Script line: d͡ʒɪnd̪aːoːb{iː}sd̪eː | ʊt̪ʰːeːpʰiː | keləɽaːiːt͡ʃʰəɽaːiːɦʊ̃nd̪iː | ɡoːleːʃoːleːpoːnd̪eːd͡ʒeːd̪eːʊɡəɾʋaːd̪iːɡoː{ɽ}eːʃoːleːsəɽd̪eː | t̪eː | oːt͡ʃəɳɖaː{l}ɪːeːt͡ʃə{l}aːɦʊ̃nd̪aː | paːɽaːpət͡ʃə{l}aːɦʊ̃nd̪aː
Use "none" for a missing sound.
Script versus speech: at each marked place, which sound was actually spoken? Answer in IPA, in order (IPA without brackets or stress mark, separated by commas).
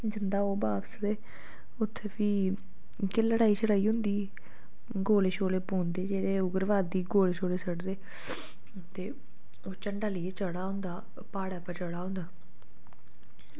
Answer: aː, l, l, ɽ, ɽ